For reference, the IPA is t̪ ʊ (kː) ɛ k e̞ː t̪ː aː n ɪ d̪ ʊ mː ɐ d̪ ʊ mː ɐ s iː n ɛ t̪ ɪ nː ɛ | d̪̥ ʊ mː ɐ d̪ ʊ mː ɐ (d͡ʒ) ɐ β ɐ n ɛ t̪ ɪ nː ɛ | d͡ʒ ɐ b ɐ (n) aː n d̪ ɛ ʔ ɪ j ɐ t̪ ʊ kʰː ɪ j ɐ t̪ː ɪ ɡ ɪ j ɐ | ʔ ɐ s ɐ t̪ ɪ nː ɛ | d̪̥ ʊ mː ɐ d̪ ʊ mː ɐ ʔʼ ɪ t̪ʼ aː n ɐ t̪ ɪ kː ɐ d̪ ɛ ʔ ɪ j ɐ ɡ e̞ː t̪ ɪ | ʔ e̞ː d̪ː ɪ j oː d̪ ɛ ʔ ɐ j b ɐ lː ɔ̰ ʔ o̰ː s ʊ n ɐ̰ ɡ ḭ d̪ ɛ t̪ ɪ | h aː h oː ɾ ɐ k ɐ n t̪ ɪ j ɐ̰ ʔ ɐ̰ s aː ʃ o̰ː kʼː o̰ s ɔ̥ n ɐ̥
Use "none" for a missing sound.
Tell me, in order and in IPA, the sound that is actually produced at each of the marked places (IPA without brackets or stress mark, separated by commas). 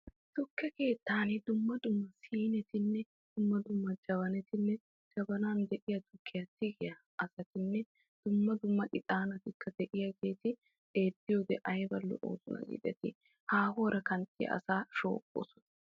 kː, d͡ʒ, n